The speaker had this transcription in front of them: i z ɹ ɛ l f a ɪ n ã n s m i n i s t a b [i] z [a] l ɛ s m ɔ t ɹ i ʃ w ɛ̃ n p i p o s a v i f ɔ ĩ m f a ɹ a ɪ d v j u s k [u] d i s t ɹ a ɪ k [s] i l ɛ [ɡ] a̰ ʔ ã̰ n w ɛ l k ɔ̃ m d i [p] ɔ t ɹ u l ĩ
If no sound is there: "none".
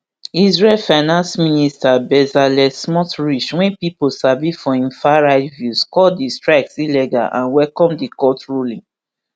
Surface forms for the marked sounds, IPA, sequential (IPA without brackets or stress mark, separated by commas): ɛ, a, ɔ, s, ɡ, k